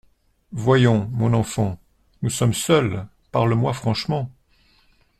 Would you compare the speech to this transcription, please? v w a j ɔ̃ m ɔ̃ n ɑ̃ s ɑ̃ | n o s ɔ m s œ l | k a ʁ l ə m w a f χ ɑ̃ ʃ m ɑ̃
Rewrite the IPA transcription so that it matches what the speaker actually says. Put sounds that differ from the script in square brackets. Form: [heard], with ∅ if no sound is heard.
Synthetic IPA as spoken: v w a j ɔ̃ m ɔ̃ n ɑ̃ [f] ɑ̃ | n [u] s ɔ m s œ l | [p] a ʁ l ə m w a f χ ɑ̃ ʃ m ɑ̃

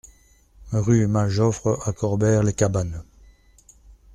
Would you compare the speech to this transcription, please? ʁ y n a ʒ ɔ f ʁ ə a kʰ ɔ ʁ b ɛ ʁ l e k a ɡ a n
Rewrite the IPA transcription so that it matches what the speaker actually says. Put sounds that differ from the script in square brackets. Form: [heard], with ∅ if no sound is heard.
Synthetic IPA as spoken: ʁ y [m] a ʒ ɔ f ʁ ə a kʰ ɔ ʁ b ɛ ʁ l e k a [b] a n

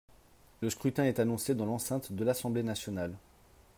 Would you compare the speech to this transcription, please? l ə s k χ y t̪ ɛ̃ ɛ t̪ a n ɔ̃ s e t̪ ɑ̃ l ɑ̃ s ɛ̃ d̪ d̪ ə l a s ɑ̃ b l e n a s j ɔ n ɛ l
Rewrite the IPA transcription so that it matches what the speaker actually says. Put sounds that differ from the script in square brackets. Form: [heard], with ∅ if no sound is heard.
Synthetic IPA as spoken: l ə s k χ y t̪ ɛ̃ ɛ t̪ a n ɔ̃ s e [d̪] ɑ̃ l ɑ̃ s ɛ̃ [t̪] d̪ ə l a s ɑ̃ b l e n a s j ɔ n [a] l

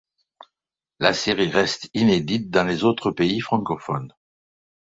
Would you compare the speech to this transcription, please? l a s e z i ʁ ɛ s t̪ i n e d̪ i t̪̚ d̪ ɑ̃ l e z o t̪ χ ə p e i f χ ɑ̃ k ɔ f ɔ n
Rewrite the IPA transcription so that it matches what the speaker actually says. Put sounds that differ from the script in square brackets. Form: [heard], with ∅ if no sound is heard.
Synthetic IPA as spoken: l a s e [ʁ] i ʁ ɛ s t̪ i n e d̪ i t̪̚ d̪ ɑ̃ l e z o t̪ χ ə p e i f χ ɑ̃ k ɔ f ɔ n

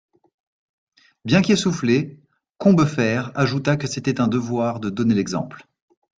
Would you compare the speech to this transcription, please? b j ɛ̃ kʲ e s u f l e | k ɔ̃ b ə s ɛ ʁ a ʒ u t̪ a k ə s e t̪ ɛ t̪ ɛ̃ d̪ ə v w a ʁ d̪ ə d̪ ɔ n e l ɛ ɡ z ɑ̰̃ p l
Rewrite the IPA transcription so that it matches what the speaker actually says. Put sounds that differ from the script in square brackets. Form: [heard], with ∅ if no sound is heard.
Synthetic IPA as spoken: b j ɛ̃ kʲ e s u f l e | k ɔ̃ b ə [f] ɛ ʁ a ʒ u t̪ a k ə s e t̪ ɛ t̪ ɛ̃ d̪ ə v w a ʁ d̪ ə d̪ ɔ n e l ɛ ɡ z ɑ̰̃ p l

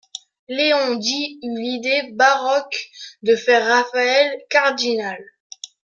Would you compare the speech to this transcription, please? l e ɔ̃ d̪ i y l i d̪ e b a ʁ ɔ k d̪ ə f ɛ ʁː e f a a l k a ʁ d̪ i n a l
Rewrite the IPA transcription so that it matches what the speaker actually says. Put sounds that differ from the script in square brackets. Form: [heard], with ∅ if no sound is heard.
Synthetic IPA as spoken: l e ɔ̃ d̪ i y l i d̪ e b a ʁ ɔ k d̪ ə f ɛ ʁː [a] f a [ɛ] l k a ʁ d̪ i n a l

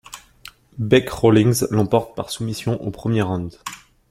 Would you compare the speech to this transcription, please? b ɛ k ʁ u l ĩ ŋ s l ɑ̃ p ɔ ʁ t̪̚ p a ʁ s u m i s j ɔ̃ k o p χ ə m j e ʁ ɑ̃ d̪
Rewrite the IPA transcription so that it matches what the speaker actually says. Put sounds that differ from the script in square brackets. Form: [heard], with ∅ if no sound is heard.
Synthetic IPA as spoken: b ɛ k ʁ [o] l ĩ ŋ [z] l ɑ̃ p ɔ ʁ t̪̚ p a ʁ s u m i s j ɔ̃ [ʔ] o p χ ə m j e ʁ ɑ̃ d̪

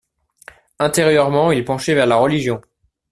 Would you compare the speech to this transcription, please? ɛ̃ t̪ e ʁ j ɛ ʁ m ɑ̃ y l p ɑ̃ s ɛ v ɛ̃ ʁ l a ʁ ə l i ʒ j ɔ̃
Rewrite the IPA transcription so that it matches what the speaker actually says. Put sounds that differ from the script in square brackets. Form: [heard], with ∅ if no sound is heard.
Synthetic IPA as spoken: ɛ̃ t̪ e ʁ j [œ] ʁ m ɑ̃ [i] l p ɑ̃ [ʃ] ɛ v [ɛ] ʁ l a ʁ ə l i ʒ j ɔ̃

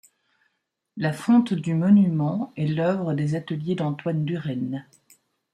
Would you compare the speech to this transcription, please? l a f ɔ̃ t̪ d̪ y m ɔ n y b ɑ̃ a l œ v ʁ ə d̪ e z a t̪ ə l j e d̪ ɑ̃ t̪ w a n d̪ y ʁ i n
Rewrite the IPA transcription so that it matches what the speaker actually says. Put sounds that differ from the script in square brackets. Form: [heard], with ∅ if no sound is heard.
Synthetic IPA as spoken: l a f ɔ̃ t̪ d̪ y m ɔ n y [m] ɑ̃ [ɛ] l œ v ʁ ə d̪ e z a t̪ ə l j e d̪ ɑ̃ t̪ w a n d̪ y ʁ [ɛ] n

